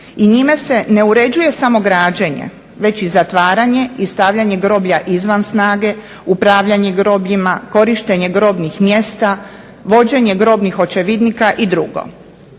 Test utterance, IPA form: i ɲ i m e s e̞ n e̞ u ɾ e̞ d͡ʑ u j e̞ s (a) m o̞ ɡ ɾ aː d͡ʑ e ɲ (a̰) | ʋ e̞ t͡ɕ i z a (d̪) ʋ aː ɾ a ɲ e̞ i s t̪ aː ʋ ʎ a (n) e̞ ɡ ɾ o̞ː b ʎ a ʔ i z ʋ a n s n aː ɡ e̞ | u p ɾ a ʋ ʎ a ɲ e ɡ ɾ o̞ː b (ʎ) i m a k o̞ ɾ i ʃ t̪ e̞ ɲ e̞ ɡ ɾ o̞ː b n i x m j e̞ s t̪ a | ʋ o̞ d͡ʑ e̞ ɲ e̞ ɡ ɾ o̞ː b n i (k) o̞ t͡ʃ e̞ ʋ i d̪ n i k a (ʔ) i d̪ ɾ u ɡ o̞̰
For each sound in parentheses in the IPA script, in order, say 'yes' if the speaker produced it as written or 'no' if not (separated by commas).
yes, no, no, no, yes, no, yes